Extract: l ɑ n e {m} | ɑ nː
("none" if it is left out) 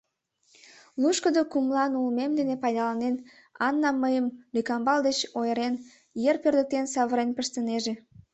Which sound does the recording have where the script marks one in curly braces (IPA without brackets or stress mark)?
n